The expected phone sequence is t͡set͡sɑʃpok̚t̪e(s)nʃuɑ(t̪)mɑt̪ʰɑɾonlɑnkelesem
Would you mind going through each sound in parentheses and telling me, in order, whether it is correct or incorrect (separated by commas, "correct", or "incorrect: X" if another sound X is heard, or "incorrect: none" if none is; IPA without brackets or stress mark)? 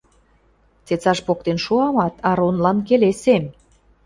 incorrect: none, incorrect: none